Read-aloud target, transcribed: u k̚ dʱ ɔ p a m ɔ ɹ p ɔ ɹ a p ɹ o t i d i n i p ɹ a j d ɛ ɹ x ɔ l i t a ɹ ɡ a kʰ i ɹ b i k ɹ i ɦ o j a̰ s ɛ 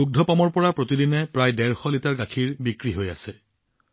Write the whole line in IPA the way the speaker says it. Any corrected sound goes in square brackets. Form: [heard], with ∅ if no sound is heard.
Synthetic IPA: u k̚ dʱ ɔ p a m ɔ ɹ p ɔ ɹ a p ɹ o t i d i n [ɛ] p ɹ a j d ɛ ɹ x ɔ l i t a ɹ ɡ a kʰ i ɹ b i k ɹ i ɦ o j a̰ s ɛ